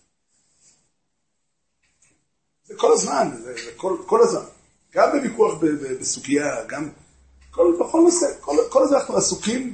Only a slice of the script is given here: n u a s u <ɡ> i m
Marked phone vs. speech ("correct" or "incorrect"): incorrect